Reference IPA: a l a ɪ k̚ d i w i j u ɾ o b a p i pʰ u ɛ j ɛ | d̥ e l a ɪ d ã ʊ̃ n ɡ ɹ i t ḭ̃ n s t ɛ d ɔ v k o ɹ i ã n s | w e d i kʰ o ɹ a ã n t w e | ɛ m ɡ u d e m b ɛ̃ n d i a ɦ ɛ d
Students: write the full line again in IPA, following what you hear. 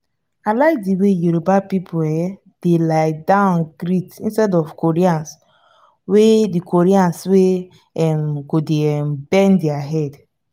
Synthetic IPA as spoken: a l a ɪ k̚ d i w e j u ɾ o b a p i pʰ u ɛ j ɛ | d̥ e l a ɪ d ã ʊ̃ n ɡ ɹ i t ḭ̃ n s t ɛ d ɔ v k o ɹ i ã n s | w e d i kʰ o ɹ i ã n s w e | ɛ m ɡ o d e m b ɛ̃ n d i a ɦ ɛ d